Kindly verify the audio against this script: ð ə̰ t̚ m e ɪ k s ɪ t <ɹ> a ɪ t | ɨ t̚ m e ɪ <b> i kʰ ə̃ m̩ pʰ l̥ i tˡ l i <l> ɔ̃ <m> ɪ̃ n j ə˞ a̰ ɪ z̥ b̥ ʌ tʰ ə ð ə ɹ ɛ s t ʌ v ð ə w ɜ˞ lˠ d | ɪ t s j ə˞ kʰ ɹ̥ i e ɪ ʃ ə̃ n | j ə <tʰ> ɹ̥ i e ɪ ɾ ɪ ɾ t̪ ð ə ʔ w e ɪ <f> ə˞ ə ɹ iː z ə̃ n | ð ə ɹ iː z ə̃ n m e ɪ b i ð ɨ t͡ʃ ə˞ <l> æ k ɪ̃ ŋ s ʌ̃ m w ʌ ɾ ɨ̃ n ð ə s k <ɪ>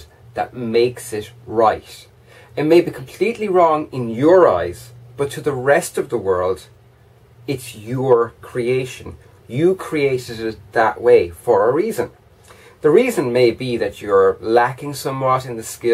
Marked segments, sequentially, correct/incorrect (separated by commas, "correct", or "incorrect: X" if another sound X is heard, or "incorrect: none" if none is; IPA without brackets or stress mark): correct, correct, incorrect: ɹ, incorrect: ŋ, incorrect: kʰ, correct, correct, correct